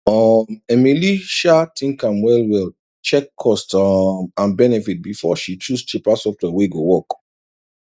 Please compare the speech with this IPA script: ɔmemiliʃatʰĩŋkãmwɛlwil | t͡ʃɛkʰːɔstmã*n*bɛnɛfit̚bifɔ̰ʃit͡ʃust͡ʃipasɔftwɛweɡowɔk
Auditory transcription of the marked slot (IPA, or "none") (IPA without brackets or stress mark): n